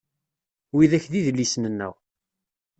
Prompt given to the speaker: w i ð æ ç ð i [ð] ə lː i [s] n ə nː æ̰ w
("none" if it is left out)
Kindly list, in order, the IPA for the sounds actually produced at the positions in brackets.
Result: ð, s

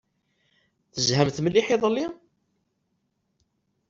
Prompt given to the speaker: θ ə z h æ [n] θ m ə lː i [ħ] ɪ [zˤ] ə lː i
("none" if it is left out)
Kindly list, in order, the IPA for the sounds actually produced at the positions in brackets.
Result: m, ħ, ðˤ

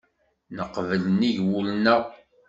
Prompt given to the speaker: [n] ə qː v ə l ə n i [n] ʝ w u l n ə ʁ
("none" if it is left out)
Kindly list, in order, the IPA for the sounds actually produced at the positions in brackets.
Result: n, none

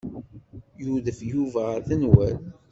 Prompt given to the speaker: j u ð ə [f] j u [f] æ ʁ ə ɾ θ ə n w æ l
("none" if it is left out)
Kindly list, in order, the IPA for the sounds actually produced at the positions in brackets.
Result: f, v

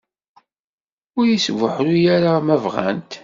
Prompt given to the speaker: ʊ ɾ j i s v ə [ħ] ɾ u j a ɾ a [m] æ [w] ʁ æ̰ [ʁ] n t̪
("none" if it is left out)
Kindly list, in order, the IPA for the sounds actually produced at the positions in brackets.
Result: ħ, m, v, none

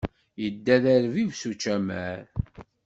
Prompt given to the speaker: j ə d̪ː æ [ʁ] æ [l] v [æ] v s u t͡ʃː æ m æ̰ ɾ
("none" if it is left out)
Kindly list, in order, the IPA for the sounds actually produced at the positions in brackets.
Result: ð, ɾ, i

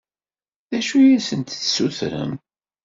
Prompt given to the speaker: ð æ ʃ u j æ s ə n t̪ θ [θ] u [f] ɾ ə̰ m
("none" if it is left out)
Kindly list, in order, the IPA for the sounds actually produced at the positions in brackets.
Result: s, θ

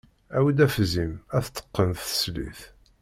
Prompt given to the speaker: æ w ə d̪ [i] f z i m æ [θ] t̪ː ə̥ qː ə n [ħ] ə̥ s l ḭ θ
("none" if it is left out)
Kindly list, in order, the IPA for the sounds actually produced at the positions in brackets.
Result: æ, θ, θ

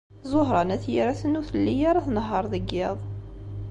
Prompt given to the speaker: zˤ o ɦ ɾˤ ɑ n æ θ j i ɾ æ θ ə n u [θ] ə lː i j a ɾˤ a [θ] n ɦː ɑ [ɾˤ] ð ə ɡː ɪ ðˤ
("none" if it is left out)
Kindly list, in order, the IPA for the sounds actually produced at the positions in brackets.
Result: θ, θ, ɾˤ

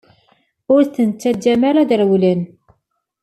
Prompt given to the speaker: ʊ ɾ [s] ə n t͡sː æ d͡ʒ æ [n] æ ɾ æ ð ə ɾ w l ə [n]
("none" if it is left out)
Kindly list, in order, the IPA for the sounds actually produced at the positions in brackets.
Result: θ, m, n

